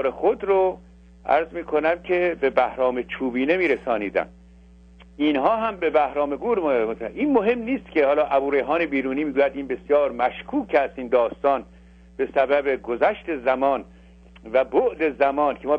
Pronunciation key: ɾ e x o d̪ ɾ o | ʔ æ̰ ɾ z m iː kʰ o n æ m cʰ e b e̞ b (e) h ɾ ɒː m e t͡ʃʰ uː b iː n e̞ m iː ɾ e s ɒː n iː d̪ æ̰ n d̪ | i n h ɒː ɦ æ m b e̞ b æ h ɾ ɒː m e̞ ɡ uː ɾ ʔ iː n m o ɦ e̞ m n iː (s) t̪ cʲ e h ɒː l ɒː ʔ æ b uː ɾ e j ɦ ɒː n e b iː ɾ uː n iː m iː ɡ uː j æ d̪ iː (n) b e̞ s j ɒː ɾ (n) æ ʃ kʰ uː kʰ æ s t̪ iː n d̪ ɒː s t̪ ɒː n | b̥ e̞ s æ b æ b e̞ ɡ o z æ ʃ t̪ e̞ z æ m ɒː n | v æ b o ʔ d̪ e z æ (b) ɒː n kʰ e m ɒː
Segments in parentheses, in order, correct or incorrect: incorrect, correct, correct, incorrect, incorrect

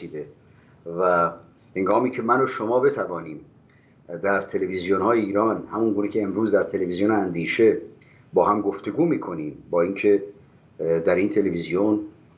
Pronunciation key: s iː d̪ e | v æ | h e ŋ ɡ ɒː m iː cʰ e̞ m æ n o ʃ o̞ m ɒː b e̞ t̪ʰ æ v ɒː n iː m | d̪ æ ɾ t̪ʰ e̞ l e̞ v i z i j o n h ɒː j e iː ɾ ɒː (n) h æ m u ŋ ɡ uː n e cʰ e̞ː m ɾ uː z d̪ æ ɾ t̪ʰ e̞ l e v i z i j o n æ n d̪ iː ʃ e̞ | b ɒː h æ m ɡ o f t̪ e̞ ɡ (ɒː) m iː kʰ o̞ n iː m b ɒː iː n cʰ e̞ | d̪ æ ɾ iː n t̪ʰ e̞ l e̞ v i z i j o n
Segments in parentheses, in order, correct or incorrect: correct, incorrect

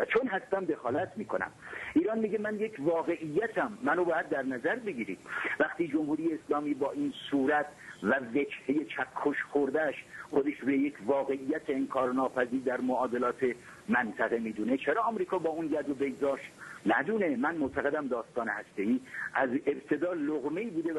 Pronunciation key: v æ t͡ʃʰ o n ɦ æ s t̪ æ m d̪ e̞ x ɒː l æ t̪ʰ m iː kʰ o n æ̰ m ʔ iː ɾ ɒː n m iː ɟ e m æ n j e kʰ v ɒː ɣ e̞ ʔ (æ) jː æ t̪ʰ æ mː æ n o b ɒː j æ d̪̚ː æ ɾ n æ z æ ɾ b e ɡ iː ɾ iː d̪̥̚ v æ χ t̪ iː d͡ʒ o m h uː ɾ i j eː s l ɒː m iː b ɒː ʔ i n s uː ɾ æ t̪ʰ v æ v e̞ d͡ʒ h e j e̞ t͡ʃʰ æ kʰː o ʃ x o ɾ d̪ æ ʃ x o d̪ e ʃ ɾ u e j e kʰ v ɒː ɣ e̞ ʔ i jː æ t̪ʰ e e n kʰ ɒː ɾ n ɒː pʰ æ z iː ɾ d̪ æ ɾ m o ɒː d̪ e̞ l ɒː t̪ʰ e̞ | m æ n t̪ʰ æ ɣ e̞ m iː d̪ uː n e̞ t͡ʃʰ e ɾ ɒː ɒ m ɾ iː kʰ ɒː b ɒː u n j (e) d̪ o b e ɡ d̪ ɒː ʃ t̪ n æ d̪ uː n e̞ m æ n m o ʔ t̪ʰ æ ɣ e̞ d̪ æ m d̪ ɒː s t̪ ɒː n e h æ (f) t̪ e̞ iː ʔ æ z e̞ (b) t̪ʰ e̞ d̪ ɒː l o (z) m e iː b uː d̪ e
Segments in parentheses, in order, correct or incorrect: incorrect, incorrect, incorrect, correct, incorrect

